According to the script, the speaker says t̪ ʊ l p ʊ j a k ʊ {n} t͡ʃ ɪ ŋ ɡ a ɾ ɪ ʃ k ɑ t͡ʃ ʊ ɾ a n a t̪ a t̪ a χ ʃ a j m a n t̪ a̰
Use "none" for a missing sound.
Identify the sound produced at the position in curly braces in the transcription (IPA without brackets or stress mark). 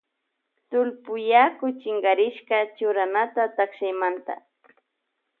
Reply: none